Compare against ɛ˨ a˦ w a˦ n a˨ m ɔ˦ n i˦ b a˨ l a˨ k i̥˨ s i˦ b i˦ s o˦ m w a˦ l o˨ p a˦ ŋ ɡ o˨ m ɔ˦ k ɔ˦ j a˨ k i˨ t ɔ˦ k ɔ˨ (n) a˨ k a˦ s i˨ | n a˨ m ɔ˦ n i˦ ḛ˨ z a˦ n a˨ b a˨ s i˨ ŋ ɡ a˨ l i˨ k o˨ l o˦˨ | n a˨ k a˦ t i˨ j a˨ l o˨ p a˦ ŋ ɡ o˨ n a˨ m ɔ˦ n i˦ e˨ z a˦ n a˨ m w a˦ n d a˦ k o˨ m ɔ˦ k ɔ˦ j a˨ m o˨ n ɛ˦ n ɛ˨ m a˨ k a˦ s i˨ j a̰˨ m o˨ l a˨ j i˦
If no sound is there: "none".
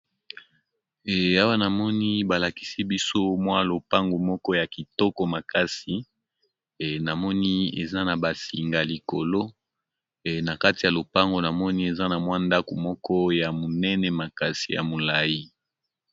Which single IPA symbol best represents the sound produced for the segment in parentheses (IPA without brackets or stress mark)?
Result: m